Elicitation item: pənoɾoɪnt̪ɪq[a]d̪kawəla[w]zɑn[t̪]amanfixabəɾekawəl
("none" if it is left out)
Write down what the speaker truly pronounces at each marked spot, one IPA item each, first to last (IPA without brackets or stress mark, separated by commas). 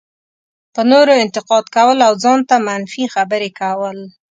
ɑ, w, t̪